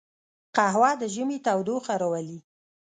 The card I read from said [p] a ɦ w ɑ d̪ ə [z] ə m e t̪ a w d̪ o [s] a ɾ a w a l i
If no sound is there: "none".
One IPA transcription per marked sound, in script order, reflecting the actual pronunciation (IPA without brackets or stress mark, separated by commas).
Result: q, ʒ, x